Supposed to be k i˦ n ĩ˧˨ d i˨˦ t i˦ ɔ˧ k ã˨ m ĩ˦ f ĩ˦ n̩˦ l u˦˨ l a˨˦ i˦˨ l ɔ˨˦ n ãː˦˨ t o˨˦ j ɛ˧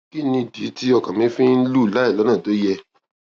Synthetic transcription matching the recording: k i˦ n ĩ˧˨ d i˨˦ t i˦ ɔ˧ k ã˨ m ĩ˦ f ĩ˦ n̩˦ l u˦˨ l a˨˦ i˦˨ l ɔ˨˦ n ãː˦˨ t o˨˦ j ɛ˧